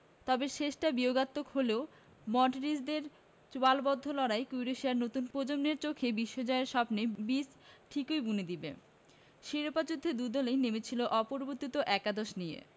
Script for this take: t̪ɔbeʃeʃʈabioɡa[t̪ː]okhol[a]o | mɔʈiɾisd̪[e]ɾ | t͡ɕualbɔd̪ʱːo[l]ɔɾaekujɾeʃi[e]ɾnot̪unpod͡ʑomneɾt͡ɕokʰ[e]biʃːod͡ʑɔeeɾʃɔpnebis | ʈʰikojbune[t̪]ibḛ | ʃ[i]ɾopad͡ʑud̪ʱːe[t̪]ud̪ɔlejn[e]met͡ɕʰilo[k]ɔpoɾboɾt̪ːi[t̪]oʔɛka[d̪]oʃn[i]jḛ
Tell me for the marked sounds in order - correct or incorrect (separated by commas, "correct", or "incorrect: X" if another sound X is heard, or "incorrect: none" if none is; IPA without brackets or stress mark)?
correct, incorrect: e, correct, correct, incorrect: a, correct, incorrect: d̪, correct, incorrect: d̪, correct, incorrect: ʔ, correct, correct, correct